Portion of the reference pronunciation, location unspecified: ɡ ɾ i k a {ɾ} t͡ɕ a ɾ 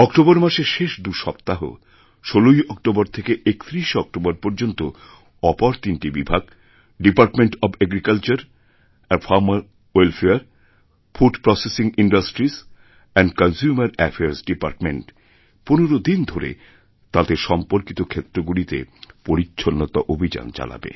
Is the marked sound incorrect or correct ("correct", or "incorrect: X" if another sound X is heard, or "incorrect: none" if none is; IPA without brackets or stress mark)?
incorrect: l